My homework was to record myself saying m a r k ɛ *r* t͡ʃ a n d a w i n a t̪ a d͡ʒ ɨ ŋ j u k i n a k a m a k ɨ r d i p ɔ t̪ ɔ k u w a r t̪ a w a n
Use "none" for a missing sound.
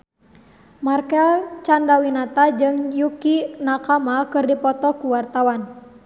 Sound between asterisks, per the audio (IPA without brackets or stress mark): l